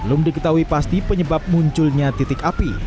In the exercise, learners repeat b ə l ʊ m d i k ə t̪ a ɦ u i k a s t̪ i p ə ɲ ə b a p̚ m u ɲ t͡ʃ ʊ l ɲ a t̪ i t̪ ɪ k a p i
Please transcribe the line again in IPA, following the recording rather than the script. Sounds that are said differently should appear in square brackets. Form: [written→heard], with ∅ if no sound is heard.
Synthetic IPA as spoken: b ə l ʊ m d i k ə t̪ a ɦ u i [k→p] a s t̪ i p ə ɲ ə b a p̚ m u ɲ t͡ʃ ʊ l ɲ a t̪ i t̪ ɪ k a p i